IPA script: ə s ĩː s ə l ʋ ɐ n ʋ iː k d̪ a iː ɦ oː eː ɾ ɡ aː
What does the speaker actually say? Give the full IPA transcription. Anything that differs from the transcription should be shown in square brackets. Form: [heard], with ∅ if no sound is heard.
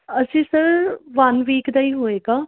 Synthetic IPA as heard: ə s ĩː s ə [ɾ] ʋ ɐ n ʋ iː k d̪ a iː ɦ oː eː [∅] ɡ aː